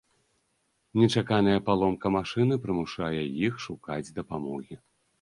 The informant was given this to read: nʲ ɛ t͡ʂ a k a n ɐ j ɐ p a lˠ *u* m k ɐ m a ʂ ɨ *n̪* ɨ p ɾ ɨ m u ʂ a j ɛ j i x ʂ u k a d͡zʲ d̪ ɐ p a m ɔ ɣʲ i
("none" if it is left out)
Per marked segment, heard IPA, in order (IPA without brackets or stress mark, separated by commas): ɔ, n̪